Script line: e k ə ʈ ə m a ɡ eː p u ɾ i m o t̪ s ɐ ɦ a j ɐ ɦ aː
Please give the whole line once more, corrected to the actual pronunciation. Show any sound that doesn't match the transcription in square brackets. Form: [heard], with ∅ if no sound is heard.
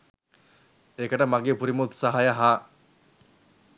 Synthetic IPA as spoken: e k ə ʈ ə m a ɡ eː p u ɾ i m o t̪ s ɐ ɦ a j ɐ ɦ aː